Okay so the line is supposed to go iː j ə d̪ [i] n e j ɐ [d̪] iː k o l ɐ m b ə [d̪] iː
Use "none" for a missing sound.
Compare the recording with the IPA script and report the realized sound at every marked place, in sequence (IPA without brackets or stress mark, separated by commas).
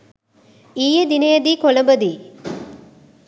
i, d̪, d̪